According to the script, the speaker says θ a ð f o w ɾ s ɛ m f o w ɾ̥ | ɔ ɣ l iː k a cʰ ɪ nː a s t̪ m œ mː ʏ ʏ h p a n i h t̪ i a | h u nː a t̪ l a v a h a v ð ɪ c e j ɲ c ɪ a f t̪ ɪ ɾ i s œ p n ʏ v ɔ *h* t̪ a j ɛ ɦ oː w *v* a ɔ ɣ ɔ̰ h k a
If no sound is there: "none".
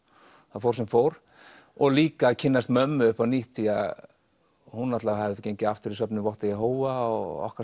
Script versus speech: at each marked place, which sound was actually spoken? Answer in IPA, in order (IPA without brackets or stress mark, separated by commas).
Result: h, v